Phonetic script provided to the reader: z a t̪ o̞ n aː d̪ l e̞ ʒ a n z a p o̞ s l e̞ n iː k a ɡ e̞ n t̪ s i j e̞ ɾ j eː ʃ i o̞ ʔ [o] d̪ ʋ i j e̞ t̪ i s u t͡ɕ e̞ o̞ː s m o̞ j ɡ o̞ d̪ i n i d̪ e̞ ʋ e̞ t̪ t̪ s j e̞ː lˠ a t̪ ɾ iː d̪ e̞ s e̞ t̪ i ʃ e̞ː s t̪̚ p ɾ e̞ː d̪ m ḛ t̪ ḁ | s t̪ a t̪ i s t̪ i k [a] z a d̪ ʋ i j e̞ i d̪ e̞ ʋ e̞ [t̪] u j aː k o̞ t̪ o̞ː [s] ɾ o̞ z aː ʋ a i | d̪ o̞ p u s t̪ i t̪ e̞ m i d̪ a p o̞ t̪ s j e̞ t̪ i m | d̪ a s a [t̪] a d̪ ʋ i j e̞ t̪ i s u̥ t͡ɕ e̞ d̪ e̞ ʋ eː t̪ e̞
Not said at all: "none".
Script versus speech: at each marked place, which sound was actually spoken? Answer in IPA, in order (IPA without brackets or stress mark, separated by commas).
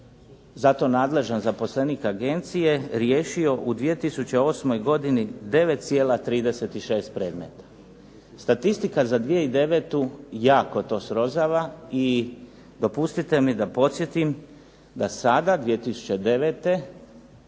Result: u, a, t̪, s, d̪